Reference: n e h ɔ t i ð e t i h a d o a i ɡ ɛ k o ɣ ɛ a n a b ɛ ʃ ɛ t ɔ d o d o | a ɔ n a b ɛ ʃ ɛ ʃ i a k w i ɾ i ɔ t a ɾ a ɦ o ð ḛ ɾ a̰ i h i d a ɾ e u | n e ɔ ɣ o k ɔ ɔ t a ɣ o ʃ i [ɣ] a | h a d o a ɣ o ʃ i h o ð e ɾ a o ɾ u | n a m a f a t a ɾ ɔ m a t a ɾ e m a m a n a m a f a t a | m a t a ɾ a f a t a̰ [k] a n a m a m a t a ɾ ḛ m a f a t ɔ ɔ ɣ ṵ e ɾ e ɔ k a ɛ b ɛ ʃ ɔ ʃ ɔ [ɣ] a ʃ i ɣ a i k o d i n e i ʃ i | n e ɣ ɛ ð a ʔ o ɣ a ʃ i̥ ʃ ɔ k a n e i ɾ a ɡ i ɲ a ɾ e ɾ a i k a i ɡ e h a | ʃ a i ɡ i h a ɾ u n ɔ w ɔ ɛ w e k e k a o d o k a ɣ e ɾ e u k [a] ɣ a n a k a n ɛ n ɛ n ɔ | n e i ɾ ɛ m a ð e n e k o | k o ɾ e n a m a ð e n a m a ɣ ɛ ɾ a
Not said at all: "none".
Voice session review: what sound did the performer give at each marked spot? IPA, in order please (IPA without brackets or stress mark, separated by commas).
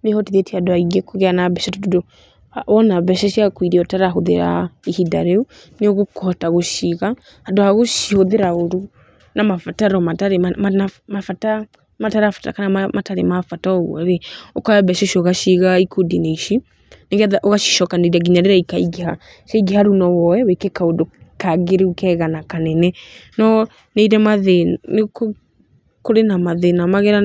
ɣ, k, ɣ, ɛ